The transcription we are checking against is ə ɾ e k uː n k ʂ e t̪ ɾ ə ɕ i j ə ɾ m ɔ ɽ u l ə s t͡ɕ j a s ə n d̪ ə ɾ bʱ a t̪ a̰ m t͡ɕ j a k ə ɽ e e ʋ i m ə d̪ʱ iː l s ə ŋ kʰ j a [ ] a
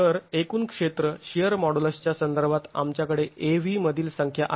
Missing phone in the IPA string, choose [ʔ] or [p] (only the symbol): ʔ